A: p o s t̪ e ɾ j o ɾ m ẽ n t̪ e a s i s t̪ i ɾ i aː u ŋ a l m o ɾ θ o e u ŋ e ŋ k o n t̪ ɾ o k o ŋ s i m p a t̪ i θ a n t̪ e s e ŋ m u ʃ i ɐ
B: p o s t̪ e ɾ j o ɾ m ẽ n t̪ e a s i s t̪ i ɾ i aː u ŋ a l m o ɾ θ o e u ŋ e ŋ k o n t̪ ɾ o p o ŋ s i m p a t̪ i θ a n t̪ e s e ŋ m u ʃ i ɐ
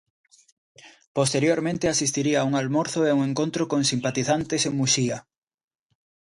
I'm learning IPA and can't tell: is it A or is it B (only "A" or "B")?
A